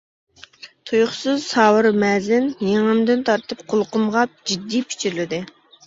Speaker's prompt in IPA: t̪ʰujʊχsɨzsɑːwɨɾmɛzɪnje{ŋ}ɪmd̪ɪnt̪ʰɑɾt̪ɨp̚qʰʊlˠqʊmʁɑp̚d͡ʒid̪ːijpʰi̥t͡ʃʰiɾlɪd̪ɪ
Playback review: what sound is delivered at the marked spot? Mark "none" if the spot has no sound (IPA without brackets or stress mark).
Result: ŋ